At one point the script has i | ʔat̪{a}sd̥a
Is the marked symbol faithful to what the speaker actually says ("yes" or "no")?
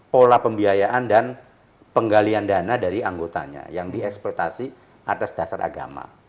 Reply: yes